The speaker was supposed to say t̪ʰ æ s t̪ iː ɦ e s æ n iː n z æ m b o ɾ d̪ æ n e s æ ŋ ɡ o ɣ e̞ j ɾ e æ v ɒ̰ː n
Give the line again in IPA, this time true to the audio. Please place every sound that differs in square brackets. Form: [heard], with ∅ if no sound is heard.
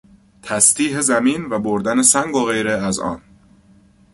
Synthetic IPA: t̪ʰ æ s t̪ iː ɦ e [z] æ [m] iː n [v] æ [∅] b o ɾ d̪ æ n e s æ ŋ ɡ o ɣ e̞ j ɾ e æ [z] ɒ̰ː n